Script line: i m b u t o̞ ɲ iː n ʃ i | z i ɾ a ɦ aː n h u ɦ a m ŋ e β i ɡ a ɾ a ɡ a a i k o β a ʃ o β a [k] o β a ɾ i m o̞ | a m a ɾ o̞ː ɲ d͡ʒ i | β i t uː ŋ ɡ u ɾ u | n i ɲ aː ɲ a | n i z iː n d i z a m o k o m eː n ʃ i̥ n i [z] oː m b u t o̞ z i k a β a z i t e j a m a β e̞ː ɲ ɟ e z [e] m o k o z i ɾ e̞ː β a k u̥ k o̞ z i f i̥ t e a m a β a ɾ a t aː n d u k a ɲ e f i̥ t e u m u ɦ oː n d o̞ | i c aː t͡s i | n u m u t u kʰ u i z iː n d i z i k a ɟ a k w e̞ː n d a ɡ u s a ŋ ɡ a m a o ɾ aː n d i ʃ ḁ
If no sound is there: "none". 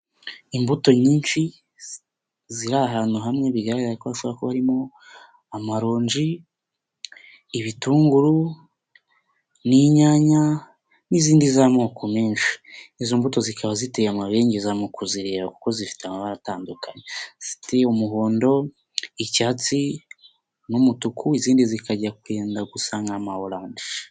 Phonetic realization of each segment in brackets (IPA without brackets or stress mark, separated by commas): k, z, a